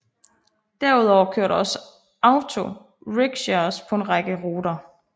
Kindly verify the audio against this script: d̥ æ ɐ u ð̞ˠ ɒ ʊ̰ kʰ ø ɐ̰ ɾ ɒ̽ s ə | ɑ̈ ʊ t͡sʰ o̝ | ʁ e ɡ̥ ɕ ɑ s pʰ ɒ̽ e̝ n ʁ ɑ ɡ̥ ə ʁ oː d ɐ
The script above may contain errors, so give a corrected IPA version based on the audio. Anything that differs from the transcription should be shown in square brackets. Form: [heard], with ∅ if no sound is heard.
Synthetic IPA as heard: d̥ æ ɐ u ð̞ˠ ɒ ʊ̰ kʰ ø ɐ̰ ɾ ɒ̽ s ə | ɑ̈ ʊ t͡sʰ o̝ | ʁ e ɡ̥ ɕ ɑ s pʰ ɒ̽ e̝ n ʁ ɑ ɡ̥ ə ʁ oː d ɐ